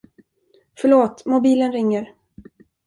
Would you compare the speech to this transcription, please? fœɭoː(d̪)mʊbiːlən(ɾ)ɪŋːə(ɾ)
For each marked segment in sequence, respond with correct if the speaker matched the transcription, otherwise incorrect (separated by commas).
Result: incorrect, correct, correct